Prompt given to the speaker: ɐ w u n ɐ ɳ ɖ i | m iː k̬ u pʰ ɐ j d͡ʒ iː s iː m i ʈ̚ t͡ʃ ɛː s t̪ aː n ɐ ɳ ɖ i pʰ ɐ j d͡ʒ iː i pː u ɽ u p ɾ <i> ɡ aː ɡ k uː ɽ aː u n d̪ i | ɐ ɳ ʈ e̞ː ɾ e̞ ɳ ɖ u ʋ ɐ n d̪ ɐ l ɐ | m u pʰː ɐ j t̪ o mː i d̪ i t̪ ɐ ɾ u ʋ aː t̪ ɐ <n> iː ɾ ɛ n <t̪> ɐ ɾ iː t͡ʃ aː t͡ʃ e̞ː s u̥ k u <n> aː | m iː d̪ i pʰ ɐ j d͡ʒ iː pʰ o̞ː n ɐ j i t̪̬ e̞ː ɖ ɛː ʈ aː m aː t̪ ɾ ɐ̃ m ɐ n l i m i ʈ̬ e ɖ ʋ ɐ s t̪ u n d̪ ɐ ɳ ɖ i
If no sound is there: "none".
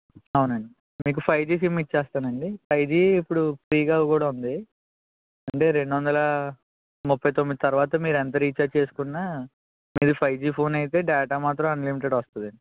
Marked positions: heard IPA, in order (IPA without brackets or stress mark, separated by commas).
iː, m, t̪, nː